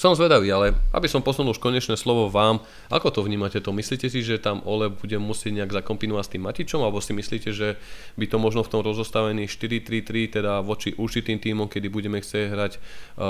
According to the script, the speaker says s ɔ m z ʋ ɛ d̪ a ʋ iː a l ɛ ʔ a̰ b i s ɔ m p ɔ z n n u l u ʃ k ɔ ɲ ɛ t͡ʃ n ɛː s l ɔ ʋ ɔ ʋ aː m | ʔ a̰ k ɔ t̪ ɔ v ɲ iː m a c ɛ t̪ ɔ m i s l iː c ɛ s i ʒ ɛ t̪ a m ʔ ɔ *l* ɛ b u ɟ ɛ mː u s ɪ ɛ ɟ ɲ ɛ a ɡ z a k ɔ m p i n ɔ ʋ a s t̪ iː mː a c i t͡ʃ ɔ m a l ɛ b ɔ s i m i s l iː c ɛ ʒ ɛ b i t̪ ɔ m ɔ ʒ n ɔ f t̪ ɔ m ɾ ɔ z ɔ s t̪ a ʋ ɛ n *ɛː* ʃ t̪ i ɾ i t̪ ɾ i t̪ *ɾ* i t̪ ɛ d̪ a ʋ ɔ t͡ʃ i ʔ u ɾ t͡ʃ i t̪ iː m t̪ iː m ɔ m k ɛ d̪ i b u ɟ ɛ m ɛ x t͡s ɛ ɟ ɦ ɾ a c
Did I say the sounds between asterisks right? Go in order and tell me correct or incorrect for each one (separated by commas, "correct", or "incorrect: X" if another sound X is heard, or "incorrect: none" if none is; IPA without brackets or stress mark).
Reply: correct, incorrect: iː, correct